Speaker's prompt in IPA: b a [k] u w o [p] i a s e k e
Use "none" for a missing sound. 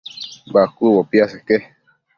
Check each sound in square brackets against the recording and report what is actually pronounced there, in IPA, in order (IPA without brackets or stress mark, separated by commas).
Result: k, p